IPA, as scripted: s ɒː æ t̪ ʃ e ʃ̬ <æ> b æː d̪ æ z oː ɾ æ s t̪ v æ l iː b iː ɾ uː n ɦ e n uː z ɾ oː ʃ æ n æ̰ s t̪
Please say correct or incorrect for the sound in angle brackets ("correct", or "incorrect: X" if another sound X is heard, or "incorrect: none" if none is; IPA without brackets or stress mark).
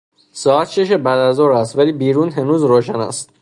incorrect: e